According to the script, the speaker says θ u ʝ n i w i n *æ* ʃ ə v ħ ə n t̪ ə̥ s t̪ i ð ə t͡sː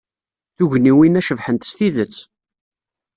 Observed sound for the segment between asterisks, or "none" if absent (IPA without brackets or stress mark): æ